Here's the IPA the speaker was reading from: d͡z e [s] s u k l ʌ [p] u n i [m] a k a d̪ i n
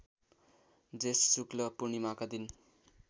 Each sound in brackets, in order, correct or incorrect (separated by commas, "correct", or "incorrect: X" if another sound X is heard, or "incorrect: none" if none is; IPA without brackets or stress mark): correct, correct, correct